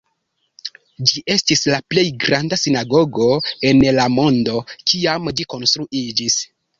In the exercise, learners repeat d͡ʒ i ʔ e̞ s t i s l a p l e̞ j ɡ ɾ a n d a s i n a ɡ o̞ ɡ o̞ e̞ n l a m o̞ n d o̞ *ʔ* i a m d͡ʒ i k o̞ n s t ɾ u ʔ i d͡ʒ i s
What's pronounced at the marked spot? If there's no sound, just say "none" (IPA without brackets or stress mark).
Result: k